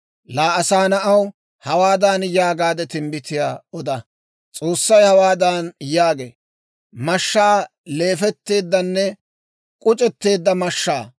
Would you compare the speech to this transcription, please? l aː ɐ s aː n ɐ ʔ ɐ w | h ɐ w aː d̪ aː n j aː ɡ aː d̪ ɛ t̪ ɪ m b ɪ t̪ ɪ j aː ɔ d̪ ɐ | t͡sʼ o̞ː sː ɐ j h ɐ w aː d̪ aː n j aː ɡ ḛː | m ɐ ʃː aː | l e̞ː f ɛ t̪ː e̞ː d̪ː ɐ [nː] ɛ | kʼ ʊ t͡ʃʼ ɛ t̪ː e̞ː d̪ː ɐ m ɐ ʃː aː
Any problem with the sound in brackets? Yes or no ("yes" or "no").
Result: no